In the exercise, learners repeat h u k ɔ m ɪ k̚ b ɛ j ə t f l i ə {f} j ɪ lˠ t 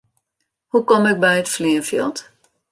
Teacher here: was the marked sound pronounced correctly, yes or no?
yes